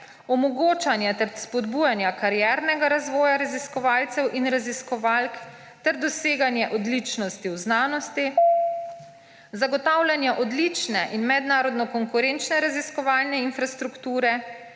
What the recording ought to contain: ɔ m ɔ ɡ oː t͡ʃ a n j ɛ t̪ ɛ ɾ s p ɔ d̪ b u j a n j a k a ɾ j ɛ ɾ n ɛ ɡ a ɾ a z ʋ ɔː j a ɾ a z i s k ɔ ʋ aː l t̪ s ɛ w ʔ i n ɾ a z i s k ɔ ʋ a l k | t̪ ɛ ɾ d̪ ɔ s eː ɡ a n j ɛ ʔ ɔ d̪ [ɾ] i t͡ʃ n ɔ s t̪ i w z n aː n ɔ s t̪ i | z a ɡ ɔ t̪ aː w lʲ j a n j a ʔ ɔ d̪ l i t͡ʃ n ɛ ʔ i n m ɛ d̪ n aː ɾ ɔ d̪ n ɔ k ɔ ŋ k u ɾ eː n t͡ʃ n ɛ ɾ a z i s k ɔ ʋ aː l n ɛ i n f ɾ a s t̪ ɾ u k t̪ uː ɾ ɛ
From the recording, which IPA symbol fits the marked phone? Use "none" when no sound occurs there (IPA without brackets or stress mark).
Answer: l